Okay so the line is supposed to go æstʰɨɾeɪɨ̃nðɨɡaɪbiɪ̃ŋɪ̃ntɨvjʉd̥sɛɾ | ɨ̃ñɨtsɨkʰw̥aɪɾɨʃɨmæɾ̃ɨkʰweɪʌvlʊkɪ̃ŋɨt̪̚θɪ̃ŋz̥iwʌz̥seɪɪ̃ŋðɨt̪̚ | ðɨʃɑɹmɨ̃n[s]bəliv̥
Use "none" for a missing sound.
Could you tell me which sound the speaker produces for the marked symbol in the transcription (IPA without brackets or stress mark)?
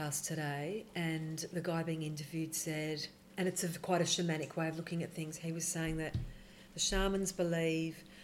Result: z